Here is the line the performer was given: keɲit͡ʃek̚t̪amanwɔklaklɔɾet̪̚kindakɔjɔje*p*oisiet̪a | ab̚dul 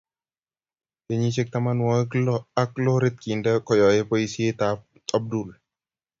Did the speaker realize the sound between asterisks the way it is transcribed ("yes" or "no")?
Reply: yes